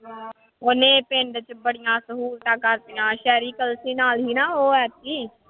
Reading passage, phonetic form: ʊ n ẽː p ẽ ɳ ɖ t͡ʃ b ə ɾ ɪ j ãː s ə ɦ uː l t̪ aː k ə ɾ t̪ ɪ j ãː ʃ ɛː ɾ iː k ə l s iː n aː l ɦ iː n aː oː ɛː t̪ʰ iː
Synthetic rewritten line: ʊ n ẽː p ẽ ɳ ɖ t͡ʃ b ə ɽ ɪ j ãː s ə ɦ uː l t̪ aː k ə ɾ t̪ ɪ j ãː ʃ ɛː ɾ iː k ə l s iː n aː l ɦ iː n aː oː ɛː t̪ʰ iː